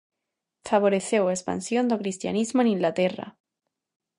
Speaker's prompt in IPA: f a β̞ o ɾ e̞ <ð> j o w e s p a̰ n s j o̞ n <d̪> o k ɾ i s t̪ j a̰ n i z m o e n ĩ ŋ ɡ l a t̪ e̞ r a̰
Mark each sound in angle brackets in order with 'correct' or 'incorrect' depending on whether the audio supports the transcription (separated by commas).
incorrect, correct